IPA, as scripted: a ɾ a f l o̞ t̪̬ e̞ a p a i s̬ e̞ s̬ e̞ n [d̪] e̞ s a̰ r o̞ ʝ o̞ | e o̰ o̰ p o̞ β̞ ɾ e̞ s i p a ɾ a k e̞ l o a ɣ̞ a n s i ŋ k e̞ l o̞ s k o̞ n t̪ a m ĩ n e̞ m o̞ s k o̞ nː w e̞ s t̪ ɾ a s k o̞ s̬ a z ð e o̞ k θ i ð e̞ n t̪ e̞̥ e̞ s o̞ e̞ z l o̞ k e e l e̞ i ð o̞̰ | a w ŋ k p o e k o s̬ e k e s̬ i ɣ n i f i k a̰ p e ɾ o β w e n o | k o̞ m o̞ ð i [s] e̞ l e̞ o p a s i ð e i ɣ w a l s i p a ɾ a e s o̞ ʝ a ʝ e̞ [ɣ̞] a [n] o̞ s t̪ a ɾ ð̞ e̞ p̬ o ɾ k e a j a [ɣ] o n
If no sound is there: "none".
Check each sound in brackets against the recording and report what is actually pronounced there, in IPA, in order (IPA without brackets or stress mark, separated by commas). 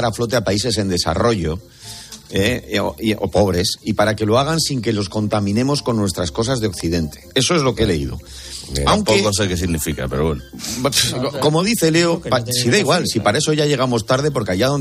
d̪, θ, ɣ̞, m, ð